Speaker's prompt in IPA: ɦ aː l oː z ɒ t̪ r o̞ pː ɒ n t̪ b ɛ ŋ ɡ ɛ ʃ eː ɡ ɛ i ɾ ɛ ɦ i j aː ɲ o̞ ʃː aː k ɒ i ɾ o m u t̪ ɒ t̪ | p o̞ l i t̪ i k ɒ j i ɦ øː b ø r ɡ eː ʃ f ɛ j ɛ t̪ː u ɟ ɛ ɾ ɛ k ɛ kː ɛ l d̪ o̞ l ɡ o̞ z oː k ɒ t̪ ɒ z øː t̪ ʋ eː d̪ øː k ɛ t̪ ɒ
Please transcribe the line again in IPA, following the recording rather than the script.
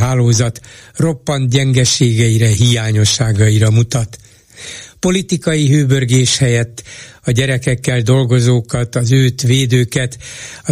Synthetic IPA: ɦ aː l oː z ɒ t̪ r o̞ pː ɒ n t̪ ɟ ɛ ŋ ɡ ɛ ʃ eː ɡ ɛ i ɾ ɛ ɦ i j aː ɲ o̞ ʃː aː ɡ ɒ i ɾ ɒ m u t̪ ɒ t̪ | p o̞ l i t̪ i k ɒ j i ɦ øː b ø r ɡ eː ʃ h ɛ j ɛ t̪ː ɒ ɟ ɛ ɾ ɛ k ɛ kː ɛ l d̪ o̞ l ɡ o̞ z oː k ɒ t̪ ɒ z øː t̪ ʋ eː d̪ øː k ɛ t̪ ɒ